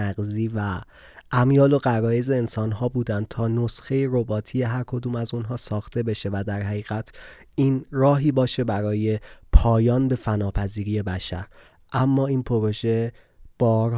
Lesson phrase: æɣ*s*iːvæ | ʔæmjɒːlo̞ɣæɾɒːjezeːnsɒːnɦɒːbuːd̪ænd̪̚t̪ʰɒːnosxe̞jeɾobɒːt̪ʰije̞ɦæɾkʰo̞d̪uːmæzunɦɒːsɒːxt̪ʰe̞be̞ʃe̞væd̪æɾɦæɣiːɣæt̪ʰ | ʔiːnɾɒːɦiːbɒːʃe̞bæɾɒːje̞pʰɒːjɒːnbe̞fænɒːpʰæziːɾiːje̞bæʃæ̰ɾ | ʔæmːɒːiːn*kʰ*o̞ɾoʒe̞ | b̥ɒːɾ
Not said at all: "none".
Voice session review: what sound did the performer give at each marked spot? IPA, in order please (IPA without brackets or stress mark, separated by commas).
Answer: z, pʰ